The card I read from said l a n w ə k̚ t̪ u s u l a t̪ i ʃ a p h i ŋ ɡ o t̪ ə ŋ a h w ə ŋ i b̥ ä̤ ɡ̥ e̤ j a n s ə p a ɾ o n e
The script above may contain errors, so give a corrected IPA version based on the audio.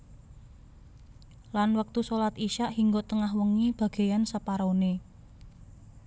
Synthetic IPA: l a n w ə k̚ t̪ u s o l a t̪ i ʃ a ʔ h i ŋ ɡ o t̪ ə ŋ a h w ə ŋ i b̥ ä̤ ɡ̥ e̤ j a n s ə p a ɾ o n e